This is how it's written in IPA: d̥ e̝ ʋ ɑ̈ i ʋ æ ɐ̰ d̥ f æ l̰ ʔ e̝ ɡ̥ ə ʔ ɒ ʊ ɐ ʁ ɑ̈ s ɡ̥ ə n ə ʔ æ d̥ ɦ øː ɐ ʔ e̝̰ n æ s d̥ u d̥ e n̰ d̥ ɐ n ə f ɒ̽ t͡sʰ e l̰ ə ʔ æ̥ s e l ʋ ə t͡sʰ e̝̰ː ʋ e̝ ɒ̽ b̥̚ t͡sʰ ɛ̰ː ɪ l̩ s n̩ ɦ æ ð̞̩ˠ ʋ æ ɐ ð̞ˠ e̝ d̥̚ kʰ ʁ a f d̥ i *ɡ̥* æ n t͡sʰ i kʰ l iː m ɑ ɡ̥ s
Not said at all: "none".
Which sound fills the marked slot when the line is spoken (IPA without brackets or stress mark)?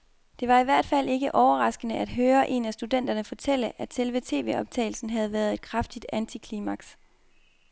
d̥